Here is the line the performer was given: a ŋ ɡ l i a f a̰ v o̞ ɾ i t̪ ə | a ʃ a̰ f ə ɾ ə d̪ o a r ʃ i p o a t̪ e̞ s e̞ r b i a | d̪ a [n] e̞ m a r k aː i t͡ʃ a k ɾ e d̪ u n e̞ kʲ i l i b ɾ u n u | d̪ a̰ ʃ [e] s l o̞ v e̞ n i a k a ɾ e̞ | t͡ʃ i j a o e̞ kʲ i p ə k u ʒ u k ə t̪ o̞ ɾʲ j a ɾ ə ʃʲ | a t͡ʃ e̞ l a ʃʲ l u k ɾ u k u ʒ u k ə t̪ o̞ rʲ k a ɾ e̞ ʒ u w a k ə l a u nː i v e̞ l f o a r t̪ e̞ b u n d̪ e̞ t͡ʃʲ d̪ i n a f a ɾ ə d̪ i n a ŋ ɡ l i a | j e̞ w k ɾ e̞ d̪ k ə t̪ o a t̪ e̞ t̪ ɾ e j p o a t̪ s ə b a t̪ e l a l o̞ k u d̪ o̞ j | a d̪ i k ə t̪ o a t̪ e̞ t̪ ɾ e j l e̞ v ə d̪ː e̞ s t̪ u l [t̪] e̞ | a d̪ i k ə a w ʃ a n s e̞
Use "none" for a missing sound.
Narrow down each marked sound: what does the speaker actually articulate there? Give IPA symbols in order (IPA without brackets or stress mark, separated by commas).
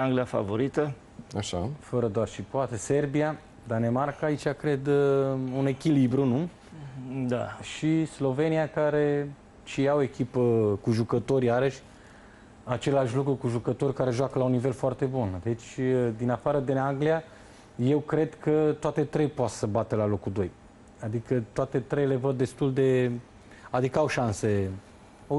n, i, d̪